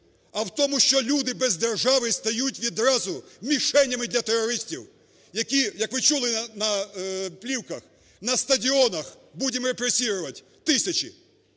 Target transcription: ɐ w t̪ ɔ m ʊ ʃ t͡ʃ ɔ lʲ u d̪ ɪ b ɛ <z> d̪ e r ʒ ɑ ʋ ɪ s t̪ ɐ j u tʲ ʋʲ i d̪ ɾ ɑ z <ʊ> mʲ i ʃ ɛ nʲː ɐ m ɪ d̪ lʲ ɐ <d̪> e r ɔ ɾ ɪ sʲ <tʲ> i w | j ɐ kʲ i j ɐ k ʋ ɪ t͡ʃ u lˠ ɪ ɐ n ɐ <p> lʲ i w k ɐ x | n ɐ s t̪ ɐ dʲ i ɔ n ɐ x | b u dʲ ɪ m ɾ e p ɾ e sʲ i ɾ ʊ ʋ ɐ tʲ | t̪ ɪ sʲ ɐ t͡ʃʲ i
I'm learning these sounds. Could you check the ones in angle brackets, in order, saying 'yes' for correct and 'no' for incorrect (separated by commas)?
yes, yes, no, yes, yes